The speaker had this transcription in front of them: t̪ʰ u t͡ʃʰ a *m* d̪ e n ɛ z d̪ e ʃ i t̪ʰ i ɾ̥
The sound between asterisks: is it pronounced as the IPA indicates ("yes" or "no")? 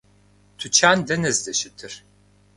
no